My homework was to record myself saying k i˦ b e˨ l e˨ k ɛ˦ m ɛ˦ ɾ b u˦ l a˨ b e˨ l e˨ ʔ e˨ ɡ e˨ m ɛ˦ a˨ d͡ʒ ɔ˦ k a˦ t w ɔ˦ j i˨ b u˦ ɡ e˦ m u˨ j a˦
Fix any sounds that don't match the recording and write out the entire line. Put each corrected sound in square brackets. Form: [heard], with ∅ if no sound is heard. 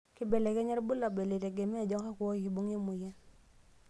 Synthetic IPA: k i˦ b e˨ l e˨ k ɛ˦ [ɲ] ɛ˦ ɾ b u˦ l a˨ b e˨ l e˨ [t] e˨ ɡ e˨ m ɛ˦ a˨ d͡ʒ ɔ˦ k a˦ [k] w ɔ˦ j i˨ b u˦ [ŋ] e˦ m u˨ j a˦